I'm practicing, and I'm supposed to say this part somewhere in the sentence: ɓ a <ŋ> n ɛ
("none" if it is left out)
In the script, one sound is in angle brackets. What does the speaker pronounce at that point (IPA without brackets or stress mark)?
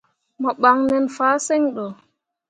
ŋ